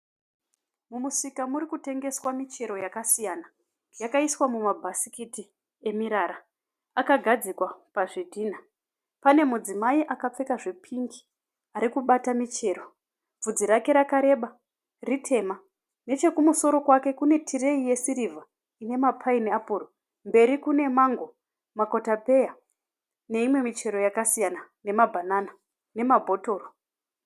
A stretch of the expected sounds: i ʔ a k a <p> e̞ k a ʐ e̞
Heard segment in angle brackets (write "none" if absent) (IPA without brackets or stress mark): p͡f